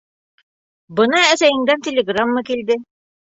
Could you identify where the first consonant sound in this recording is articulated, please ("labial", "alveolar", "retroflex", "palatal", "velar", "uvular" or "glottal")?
labial